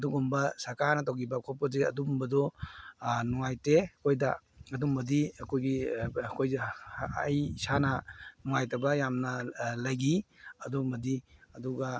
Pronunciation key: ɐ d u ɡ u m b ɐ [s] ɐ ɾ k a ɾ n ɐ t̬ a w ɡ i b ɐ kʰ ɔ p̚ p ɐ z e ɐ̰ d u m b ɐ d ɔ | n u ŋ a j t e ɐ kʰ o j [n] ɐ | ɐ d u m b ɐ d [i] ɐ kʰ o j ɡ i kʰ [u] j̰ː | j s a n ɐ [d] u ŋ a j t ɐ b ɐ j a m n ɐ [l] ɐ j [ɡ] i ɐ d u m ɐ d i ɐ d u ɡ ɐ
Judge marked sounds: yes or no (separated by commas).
yes, no, yes, no, no, yes, yes